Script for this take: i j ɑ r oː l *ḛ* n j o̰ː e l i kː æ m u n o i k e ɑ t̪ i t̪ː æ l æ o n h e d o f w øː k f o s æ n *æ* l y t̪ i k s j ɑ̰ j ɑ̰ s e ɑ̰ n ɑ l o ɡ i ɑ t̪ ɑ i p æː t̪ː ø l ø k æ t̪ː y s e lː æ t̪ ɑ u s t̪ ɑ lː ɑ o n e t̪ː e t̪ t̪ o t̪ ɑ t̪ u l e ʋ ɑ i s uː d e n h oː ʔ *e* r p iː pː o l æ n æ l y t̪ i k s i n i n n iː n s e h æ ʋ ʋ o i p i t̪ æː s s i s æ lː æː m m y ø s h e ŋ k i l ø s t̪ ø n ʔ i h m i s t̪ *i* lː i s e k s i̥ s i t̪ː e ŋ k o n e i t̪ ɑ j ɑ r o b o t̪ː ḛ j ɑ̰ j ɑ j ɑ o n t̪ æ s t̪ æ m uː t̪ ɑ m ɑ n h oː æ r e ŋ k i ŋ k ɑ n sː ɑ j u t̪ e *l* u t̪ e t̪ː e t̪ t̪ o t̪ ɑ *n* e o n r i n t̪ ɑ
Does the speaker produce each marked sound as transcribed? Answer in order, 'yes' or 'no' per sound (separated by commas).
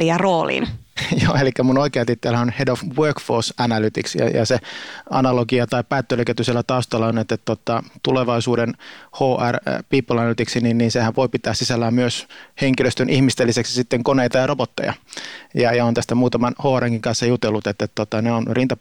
no, yes, no, no, no, yes